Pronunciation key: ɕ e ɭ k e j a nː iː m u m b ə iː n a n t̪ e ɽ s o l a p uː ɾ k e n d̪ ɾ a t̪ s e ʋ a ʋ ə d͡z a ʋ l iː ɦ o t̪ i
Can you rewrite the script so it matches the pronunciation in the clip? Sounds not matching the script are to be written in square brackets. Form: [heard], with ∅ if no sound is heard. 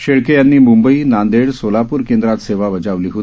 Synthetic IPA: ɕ e ɭ k e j a nː iː m u m b ə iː n a n [d̪] e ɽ s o l a p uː ɾ k e n d̪ ɾ a t̪ s e ʋ a ʋ ə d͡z a ʋ l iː ɦ o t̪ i